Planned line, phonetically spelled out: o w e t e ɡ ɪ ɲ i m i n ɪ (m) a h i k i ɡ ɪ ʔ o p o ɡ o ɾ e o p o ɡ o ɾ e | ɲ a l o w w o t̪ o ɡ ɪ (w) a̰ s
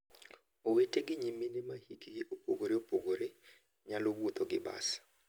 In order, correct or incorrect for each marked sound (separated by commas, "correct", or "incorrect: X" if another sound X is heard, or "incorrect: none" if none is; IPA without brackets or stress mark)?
correct, incorrect: b